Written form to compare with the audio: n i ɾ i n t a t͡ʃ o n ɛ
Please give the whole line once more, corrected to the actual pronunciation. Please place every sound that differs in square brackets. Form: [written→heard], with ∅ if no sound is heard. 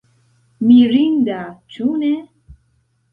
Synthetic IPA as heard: [n→m] i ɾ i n [t→d] a t͡ʃ [o→u] n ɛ